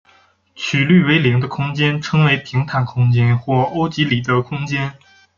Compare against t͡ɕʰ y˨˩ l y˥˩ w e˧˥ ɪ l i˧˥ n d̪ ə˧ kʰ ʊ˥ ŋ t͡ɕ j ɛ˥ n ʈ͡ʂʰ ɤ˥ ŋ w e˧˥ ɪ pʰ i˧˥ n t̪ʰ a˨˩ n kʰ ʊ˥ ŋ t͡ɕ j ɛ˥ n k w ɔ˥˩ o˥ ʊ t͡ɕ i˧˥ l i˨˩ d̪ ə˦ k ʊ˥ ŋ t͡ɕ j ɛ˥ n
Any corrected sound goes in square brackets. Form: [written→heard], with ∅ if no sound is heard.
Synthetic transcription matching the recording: t͡ɕʰ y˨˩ l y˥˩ w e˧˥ ɪ l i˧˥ [n→ŋ] d̪ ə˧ kʰ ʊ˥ ŋ t͡ɕ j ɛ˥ n ʈ͡ʂʰ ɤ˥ ŋ w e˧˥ ɪ pʰ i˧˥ [n→ŋ] t̪ʰ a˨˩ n kʰ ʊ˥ ŋ t͡ɕ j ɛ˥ n [k→x] w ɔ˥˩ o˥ ʊ t͡ɕ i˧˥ l i˨˩ d̪ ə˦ [k→kʰ] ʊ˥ ŋ t͡ɕ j ɛ˥ n